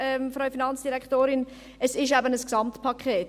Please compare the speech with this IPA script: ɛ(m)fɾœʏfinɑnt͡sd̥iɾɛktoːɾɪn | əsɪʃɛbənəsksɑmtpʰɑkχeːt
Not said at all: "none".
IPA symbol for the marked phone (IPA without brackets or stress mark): m